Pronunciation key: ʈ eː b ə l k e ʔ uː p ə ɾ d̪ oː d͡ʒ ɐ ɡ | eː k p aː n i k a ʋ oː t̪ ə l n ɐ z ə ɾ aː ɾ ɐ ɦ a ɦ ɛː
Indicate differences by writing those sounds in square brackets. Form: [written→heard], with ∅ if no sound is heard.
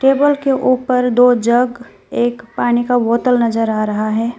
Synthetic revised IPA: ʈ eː b ə l k e ʔ uː p ə ɾ d̪ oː d͡ʒ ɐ ɡ | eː k p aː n i k a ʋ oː t̪ ə l n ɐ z ə ɾ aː ɾ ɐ ɦ a ɦ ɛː